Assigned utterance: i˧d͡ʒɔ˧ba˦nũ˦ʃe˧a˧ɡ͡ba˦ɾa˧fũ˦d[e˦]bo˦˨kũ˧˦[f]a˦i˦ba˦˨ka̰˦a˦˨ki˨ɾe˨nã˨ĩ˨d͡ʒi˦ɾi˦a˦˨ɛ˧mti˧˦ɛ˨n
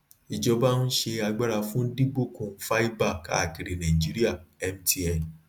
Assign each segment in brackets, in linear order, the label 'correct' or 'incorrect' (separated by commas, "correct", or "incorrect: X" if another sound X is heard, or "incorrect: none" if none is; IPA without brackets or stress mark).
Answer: incorrect: i˦, correct